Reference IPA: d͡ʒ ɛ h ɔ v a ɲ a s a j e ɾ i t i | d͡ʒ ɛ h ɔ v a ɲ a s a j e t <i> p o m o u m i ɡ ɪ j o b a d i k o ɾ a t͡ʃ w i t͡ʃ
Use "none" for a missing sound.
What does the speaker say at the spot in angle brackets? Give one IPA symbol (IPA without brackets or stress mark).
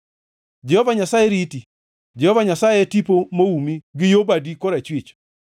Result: i